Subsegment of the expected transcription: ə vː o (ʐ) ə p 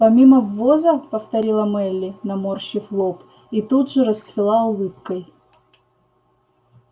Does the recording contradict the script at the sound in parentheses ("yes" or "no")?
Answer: yes